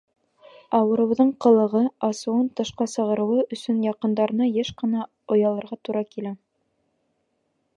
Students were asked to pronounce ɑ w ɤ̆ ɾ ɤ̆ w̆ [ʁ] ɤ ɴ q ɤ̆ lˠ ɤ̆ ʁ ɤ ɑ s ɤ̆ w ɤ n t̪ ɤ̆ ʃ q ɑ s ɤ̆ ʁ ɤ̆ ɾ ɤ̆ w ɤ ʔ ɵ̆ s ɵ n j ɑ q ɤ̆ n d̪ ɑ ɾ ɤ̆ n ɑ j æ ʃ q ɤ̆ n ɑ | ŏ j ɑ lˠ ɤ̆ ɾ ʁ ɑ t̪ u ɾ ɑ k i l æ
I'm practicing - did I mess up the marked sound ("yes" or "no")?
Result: yes